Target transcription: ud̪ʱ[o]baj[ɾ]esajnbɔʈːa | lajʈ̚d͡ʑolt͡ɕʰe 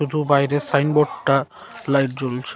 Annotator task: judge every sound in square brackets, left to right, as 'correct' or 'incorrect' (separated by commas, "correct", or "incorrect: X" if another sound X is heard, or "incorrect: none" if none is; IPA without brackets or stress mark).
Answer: incorrect: u, correct